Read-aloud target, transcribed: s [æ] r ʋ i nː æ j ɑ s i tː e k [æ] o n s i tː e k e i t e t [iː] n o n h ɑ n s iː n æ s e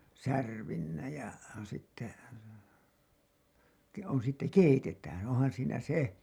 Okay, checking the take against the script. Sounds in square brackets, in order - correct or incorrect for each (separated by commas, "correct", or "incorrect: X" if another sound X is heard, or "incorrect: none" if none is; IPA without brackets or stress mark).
correct, incorrect: e, incorrect: æː